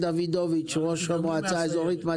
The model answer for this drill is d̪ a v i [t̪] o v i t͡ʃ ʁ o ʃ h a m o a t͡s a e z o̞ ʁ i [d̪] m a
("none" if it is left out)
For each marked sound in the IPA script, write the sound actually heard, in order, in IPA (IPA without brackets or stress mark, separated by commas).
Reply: d̪, t̪